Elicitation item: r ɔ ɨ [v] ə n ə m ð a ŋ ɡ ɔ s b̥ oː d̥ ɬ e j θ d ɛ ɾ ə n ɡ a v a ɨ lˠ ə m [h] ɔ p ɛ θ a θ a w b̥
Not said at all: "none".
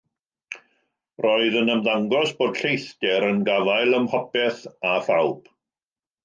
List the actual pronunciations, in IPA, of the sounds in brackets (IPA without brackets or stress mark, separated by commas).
ð, h